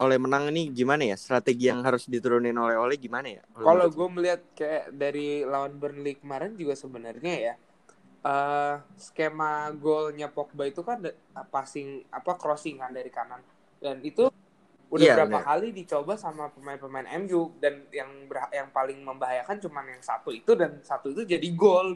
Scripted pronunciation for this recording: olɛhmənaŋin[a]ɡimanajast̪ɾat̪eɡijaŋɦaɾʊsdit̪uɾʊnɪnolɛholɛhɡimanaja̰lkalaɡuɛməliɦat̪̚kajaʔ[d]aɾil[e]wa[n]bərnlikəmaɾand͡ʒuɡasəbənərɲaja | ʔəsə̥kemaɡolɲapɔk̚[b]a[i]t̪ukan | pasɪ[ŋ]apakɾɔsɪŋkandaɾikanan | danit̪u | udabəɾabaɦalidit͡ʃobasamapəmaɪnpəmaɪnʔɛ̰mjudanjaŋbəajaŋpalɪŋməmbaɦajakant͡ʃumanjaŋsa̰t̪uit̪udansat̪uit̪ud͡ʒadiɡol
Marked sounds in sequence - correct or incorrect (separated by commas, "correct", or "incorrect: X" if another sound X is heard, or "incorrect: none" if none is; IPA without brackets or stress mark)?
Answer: incorrect: i, correct, incorrect: a, correct, correct, correct, correct